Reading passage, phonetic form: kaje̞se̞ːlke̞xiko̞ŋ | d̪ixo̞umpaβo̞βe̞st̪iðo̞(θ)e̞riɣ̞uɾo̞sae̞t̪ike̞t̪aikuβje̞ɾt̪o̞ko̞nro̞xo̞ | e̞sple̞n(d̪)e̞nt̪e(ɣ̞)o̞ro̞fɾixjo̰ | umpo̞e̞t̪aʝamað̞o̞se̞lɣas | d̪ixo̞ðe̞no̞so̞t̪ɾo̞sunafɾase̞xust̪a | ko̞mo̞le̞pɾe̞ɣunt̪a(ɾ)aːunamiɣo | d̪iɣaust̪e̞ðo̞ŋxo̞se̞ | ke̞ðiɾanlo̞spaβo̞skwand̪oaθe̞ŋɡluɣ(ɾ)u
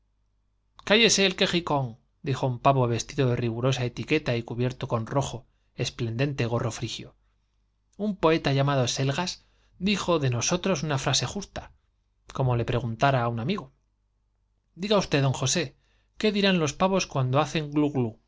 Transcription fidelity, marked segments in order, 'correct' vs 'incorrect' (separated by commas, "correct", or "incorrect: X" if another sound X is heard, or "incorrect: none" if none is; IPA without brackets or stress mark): incorrect: ð, correct, correct, correct, incorrect: l